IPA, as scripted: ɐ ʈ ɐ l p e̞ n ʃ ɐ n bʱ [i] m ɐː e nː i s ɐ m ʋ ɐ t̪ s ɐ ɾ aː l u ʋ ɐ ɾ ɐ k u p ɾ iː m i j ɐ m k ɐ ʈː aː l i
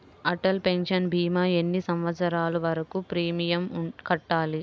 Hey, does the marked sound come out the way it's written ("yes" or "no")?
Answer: no